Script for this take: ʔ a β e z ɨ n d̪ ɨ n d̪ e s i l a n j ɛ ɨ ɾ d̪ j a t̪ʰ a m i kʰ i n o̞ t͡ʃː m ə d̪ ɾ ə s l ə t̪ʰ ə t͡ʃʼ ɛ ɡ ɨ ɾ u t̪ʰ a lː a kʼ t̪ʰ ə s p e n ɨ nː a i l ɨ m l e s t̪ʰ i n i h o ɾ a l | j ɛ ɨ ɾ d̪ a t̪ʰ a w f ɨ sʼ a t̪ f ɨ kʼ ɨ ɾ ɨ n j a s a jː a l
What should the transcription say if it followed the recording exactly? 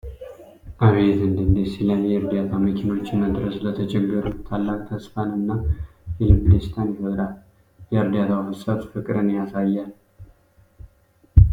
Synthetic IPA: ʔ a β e z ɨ n d̪ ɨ n d̪ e s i l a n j ɛ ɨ ɾ d̪ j a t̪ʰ a m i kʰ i n o̞ t͡ʃː m ə d̪ ɾ ə s l ə t̪ʰ ə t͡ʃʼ ɛ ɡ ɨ ɾ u t̪ʰ a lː a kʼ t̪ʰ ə s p a n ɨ nː a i l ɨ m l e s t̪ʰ a n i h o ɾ a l | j ɛ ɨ ɾ d̪ a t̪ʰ a w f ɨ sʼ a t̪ f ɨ kʼ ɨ ɾ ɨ n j a s a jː a l